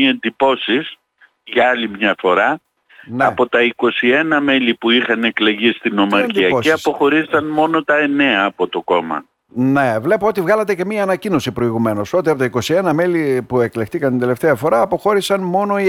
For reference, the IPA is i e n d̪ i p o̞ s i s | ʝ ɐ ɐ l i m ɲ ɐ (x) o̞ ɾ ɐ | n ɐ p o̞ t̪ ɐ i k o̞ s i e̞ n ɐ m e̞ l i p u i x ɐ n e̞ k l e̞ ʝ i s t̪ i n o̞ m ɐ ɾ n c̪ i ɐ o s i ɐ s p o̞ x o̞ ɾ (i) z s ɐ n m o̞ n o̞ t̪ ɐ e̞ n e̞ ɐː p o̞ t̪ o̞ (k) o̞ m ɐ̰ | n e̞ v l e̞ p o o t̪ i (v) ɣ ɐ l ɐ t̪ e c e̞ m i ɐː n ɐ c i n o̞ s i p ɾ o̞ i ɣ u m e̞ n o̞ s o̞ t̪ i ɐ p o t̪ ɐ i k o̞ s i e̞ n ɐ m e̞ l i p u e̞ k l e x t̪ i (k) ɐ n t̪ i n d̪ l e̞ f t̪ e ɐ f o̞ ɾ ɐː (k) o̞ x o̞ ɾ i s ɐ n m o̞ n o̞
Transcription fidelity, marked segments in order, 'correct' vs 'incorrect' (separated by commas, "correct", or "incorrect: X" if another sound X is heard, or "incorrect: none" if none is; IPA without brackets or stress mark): incorrect: f, correct, correct, correct, correct, incorrect: p